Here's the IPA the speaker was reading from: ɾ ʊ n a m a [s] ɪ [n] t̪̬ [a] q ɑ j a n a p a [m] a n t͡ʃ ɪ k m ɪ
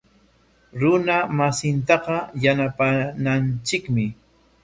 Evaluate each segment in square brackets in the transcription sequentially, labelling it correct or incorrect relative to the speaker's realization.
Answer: correct, correct, incorrect: ɑ, incorrect: n

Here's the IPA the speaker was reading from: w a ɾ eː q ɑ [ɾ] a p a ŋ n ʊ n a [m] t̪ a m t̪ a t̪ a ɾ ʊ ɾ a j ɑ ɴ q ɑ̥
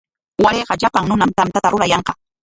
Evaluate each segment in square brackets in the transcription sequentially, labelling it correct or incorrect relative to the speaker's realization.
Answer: incorrect: ʎ, correct

